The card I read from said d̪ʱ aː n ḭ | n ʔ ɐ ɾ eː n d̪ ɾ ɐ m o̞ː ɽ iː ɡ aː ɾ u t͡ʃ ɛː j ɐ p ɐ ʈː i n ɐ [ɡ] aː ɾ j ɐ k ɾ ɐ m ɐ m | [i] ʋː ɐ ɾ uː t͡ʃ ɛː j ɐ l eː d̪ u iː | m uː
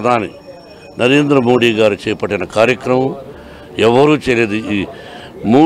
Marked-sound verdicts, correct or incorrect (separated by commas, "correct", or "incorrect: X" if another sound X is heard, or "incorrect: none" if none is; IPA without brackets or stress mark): incorrect: k, incorrect: ɛ